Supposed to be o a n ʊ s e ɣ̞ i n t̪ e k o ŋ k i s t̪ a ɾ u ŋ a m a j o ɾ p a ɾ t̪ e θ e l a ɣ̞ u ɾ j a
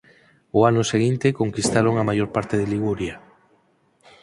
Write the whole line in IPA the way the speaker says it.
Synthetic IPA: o a n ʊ s e ɣ̞ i n t̪ e k o ŋ k i s t̪ a ɾ o ŋ a m a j o ɾ p a ɾ t̪ e ð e l i ɣ̞ u ɾ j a